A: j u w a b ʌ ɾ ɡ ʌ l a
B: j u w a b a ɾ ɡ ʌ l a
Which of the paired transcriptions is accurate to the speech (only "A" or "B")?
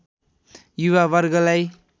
A